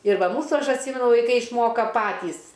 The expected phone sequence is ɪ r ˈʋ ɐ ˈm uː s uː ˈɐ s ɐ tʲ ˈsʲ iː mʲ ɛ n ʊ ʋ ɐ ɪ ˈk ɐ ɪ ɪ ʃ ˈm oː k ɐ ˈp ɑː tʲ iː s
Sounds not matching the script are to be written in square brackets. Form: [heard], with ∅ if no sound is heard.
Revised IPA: ɪ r ˈʋ ɐ ˈm uː s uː ˈɐ [ʃ] ɐ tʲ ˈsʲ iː mʲ ɛ n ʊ ʋ ɐ ɪ ˈk ɐ ɪ ɪ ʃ ˈm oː k ɐ ˈp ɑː tʲ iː s